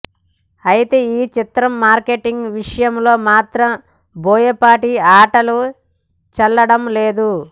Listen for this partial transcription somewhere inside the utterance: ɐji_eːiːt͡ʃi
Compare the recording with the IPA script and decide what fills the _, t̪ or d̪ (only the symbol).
t̪